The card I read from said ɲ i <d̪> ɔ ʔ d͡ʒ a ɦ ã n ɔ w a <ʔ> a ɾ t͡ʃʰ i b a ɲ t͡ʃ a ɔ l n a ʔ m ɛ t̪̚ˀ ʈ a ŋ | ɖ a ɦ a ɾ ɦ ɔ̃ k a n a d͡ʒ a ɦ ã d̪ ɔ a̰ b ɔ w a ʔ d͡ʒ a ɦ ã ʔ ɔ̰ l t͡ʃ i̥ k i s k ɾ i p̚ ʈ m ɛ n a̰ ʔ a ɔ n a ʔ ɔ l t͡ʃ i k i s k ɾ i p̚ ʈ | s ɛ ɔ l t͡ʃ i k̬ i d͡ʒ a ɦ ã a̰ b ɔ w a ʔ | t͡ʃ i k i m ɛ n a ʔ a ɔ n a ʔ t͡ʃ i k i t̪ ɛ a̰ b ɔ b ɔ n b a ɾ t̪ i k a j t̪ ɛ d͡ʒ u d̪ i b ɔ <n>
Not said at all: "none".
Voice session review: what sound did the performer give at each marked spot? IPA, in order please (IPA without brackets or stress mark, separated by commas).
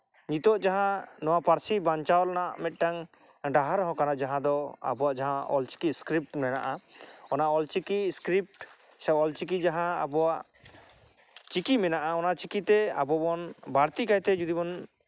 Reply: t̪, p, n